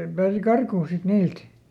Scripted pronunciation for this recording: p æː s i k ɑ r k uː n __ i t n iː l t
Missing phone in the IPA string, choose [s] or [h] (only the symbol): s